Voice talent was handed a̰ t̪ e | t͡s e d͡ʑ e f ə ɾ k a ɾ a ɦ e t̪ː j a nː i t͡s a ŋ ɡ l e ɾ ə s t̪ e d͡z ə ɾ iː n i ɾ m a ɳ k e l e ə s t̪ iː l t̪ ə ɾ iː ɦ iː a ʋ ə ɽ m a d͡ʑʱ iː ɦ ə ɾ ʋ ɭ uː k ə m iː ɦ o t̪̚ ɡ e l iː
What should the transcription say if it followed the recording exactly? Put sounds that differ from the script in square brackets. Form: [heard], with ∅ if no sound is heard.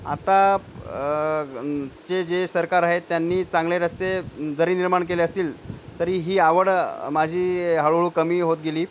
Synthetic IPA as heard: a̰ t̪ [a] | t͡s e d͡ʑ e [s] ə ɾ k a ɾ a ɦ e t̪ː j a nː [iː] t͡s a ŋ ɡ l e ɾ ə s t̪ e d͡z ə ɾ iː n i ɾ m a ɳ k e l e ə s t̪ iː l t̪ ə ɾ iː ɦ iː a ʋ ə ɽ m a d͡ʑʱ iː ɦ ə [ɭ] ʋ ɭ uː k ə m iː ɦ o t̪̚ ɡ e l iː